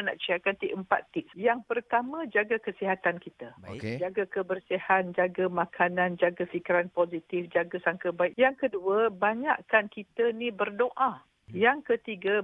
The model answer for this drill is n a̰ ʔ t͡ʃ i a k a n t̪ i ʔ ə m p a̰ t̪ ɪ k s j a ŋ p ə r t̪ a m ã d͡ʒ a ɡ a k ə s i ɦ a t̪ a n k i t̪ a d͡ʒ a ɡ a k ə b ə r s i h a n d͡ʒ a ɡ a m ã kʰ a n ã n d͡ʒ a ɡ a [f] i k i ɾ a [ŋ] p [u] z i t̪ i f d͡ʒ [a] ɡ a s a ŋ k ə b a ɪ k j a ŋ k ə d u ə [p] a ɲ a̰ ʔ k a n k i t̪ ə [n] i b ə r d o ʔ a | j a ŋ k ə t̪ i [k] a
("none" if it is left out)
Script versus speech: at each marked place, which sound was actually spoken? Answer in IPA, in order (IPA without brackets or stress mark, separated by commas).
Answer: f, n, o, a, b, n, ɡ